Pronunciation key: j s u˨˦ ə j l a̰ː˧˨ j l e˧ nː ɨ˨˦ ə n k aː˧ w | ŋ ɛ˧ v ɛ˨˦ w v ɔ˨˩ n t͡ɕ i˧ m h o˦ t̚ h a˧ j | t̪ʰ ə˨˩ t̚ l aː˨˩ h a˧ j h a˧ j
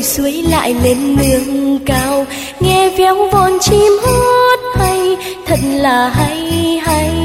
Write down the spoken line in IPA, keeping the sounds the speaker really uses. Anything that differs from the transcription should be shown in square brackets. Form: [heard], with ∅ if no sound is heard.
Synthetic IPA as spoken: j s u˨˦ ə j l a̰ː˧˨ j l e˧ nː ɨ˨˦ ə [ŋ] k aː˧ w | ŋ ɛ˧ v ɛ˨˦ w v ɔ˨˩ n t͡ɕ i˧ m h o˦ t̚ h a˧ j | t̪ʰ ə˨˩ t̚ l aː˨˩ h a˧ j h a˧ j